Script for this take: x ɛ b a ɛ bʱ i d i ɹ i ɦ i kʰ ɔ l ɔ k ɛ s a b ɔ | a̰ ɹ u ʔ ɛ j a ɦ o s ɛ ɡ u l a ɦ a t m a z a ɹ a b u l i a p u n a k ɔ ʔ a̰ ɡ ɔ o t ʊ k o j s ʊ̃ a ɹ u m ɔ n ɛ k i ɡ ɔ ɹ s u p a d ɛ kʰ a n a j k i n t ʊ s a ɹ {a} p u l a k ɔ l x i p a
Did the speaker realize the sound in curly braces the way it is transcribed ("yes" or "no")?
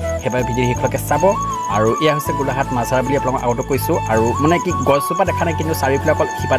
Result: no